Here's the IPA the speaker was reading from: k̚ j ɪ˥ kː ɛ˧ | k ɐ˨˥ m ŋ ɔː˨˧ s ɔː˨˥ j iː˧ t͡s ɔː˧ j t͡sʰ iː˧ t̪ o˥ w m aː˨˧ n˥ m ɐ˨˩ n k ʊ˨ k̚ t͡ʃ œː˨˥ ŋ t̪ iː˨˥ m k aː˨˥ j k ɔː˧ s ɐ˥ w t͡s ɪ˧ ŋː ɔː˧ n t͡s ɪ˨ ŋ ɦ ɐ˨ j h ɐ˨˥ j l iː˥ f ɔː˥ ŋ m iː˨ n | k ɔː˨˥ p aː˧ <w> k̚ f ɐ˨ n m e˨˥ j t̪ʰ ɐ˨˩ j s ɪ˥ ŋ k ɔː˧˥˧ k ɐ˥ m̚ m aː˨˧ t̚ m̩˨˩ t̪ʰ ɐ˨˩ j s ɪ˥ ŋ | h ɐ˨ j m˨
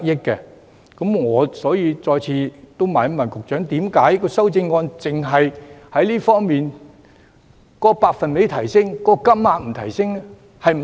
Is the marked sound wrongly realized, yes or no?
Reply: yes